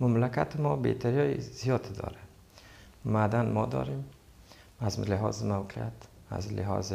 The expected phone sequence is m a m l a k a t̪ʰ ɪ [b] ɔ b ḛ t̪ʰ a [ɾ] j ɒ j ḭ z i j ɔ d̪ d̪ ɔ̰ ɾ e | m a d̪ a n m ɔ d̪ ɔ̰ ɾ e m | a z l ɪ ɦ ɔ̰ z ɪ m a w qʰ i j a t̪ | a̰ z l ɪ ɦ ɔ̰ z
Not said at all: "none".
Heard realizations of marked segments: m, ɾ

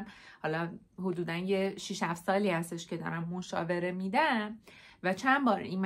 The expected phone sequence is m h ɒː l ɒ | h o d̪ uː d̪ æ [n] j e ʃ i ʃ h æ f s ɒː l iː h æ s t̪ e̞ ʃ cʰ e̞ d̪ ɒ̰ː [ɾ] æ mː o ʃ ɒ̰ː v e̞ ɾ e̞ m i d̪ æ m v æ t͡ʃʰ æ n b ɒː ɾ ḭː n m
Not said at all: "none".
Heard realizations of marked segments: n, ɾ

